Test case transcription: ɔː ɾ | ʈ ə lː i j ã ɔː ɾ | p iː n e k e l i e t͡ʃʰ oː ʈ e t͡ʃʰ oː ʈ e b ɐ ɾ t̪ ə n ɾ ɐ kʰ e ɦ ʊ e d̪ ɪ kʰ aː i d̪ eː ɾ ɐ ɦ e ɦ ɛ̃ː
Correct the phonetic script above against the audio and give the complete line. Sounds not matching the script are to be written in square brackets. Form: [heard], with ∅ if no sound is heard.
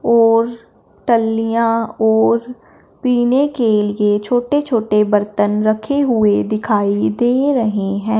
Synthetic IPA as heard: ɔː ɾ | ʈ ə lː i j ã ɔː ɾ | p iː n e k e l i e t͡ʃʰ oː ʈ e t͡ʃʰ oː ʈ e b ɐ ɾ t̪ ə n ɾ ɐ kʰ e ɦ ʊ e d̪ ɪ kʰ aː i d̪ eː ɾ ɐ ɦ e ɦ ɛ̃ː